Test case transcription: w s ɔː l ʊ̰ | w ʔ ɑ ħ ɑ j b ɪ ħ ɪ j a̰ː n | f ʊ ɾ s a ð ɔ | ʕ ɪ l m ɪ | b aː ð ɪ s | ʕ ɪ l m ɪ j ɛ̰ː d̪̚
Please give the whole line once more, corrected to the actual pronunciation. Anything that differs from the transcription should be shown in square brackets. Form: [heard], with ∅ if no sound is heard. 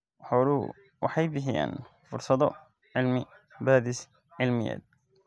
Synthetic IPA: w [ħ] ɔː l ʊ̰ | w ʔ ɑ ħ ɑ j b ɪ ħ ɪ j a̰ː n | f ʊ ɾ s [ɐ] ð ɔ | ʕ ɪ l m ɪ | b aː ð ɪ s | ʕ ɪ l m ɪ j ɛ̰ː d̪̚

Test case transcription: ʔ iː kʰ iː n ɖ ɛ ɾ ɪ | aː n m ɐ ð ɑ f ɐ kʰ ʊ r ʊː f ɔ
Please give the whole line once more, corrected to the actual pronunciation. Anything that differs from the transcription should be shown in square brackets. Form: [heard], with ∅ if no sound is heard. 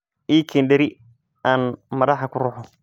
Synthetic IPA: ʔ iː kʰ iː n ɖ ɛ ɾ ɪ | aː n m ɐ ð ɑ [ħ] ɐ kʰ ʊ r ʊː [ħ] ɔ

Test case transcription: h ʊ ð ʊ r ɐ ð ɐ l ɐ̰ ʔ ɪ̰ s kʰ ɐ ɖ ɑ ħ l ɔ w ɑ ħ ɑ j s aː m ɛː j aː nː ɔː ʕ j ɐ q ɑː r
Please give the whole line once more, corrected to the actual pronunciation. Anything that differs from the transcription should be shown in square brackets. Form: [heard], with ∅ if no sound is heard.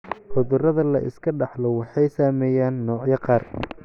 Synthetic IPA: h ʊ ð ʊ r ɐ ð ɐ l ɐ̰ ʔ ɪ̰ s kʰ ɐ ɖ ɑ ħ l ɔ w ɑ ħ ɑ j s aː m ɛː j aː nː ɔː ʕ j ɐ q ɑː r

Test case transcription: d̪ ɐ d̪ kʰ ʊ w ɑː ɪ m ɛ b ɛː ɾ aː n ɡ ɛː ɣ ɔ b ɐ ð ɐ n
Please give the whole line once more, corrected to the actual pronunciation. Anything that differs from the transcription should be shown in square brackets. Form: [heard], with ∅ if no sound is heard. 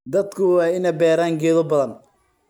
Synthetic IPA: d̪ ɐ d̪ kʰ ʊ w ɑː ɪ [n] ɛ b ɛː ɾ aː [ŋ] ɡ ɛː [ð] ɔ b ɐ ð ɐ n

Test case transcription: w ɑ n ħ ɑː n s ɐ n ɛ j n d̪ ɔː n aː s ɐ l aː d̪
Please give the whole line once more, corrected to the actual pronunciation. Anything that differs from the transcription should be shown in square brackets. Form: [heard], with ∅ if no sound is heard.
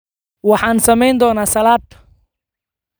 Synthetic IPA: w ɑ [∅] ħ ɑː n s ɐ [m] ɛ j n d̪ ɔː n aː s ɐ l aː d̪

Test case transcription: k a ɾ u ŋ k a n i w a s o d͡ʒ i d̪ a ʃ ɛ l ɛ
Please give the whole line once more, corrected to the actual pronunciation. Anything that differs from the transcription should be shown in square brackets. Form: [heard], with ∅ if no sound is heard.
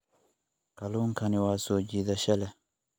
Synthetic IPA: k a [l] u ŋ k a n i w a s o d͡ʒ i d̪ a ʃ ɛ l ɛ

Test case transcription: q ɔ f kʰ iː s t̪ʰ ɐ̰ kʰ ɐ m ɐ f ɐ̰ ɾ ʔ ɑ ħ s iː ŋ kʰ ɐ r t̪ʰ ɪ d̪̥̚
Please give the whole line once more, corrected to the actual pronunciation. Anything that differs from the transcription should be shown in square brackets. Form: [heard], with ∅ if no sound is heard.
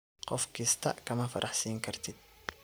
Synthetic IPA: q ɔ f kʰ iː s t̪ʰ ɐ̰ kʰ ɐ m ɐ f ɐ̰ ɾ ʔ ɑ ħ s iː ŋ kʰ ɐ r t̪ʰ ɪ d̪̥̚

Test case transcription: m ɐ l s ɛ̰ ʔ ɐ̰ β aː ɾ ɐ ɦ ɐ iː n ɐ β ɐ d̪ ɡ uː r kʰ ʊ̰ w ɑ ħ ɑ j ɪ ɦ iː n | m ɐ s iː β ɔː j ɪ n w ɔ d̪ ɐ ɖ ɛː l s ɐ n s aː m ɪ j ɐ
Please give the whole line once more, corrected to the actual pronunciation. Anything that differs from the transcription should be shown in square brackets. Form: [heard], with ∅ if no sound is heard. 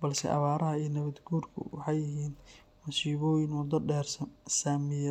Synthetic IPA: [b] ɐ l s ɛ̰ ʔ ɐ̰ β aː ɾ ɐ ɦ ɐ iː n ɐ β ɐ d̪ ɡ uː r kʰ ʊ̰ w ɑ ħ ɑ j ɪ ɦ iː n | m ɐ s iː β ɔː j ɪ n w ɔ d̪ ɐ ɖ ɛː [r] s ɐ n s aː m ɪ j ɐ

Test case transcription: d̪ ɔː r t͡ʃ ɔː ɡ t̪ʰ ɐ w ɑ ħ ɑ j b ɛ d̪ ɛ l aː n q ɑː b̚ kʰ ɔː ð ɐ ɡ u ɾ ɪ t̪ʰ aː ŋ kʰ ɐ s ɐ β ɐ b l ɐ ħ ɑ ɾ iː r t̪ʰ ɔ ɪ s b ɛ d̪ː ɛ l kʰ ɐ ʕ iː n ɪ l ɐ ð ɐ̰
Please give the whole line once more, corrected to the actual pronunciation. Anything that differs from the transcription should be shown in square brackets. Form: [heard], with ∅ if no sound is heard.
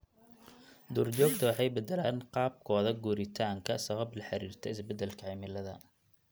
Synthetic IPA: d̪ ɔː r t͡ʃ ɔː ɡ t̪ʰ ɐ w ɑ ħ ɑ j b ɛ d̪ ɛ l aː n q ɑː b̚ kʰ ɔː ð ɐ ɡ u ɾ ɪ t̪ʰ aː ŋ kʰ ɐ s ɐ β ɐ b l ɐ ħ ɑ ɾ iː r t̪ʰ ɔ ɪ s b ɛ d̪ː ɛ l kʰ ɐ ʕ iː [m] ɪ l ɐ ð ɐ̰

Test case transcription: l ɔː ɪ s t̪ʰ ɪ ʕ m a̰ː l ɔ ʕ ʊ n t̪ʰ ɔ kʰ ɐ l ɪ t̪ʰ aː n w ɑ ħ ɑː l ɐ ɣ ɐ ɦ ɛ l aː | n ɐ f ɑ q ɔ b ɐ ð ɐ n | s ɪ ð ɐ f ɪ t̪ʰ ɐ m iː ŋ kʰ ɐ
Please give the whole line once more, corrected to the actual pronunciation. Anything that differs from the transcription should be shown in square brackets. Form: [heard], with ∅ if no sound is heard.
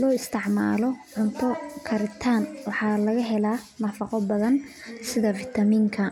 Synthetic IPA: l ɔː ɪ s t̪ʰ ɪ ʕ m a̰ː l ɔ ʕ ʊ n t̪ʰ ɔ kʰ ɐ [ɾ] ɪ t̪ʰ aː n w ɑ ħ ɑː l ɐ ɣ ɐ ɦ ɛ l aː | n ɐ f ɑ q ɔ b ɐ ð ɐ n | s ɪ ð ɐ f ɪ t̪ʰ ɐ m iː ŋ kʰ ɐ

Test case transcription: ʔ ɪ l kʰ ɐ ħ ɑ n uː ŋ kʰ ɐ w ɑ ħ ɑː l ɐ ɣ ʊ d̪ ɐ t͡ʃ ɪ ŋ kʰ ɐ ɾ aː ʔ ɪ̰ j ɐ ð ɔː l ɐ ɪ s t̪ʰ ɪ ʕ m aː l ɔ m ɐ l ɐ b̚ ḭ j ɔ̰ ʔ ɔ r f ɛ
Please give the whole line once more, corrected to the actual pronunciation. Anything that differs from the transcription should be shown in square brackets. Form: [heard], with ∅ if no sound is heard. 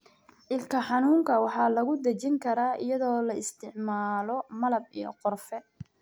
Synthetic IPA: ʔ ɪ l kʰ ɐ ħ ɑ n uː ŋ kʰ ɐ w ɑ ħ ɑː l ɐ ɣ ʊ d̪ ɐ t͡ʃ ɪ ŋ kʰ ɐ ɾ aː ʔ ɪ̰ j ɐ ð ɔː l ɐ ɪ s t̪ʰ ɪ ʕ m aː l ɔ m ɐ l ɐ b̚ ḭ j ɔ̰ [q] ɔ r f ɛ

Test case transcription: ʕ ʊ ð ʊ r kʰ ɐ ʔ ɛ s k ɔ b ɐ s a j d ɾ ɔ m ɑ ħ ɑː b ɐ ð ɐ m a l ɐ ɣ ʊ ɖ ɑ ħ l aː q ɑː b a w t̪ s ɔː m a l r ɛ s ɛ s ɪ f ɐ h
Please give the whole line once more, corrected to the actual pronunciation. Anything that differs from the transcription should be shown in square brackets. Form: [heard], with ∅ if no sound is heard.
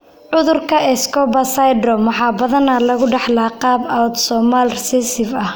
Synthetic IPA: ʕ ʊ ð ʊ r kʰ ɐ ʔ ɛ s k ɔ b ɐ s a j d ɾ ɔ m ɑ ħ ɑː b ɐ ð ɐ [n] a l ɐ ɣ ʊ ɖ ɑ ħ l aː q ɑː b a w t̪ s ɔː m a l r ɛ s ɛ s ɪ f ɐ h

